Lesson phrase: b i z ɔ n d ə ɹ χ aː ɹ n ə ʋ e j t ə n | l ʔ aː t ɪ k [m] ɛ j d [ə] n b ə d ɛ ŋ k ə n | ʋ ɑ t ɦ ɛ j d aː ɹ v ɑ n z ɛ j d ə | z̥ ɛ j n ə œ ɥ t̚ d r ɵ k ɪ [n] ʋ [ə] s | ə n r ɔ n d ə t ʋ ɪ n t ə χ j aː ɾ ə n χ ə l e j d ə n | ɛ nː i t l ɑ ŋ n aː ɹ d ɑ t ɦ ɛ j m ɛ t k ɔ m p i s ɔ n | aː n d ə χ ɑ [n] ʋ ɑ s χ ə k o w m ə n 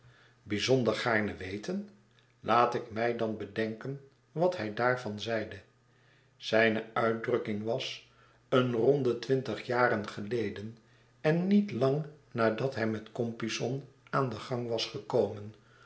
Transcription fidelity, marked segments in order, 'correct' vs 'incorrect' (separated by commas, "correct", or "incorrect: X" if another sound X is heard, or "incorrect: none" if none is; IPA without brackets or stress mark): correct, incorrect: ɑ, incorrect: ŋ, incorrect: ɑ, incorrect: ŋ